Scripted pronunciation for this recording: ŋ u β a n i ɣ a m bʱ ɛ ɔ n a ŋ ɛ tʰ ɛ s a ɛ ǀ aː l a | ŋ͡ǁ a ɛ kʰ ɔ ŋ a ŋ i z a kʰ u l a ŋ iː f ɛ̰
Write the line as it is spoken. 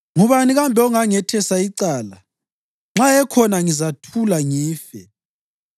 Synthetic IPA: ŋ u β a n i ɣ a m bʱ ɛ ɔ ŋ a ŋ ɛ tʰ ɛ s a i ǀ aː l a | ŋ͡ǁ a ɛ kʰ ɔ n a ŋ i z a tʰ u l a ŋ iː f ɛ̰